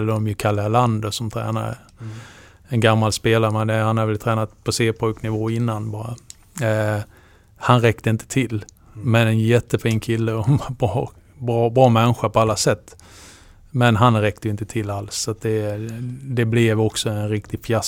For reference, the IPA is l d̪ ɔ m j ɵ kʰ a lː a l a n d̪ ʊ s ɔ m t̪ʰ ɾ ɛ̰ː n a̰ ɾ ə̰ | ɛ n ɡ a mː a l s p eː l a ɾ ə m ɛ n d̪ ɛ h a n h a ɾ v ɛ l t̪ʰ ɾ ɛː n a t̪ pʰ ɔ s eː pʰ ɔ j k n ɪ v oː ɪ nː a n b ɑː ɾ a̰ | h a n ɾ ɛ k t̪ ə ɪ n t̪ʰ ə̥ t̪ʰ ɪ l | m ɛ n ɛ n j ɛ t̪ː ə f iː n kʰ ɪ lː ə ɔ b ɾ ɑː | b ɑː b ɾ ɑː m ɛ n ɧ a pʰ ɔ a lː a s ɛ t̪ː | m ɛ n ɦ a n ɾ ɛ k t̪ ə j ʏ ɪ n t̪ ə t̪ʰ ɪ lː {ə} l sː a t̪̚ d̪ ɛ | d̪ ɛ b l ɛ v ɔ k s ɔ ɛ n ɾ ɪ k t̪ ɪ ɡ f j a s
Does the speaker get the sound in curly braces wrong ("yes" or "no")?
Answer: yes